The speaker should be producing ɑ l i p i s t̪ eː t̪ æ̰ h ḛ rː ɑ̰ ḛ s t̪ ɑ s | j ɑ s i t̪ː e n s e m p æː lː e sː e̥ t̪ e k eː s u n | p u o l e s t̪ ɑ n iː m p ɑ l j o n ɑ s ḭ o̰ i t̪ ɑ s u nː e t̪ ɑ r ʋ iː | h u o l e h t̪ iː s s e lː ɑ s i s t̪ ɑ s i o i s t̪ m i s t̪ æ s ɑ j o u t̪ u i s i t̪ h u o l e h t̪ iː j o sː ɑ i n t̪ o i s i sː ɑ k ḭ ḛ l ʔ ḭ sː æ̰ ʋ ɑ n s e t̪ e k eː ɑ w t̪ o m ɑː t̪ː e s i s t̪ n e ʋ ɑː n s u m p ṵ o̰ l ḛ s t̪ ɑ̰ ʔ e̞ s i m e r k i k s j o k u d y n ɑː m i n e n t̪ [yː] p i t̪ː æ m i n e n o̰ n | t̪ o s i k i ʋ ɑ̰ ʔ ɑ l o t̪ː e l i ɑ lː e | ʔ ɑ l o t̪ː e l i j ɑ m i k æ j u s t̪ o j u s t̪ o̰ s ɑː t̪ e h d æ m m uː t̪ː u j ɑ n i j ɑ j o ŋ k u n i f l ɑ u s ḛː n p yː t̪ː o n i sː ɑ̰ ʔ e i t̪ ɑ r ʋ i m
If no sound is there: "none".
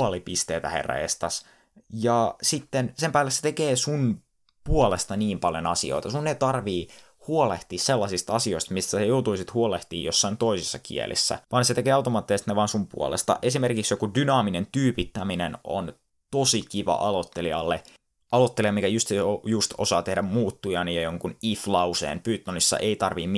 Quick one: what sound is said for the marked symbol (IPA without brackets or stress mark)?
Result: yː